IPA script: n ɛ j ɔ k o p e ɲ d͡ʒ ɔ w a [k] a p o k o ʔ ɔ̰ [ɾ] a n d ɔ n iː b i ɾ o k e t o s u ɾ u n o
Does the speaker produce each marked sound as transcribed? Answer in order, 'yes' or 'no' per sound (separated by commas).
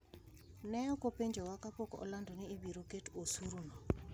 yes, no